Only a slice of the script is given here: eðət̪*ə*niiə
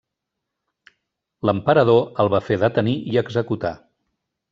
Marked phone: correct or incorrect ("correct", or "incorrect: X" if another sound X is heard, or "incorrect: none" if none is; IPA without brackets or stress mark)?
correct